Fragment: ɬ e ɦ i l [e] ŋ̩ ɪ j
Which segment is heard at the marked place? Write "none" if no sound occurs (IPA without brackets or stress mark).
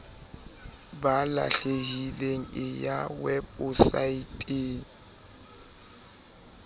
e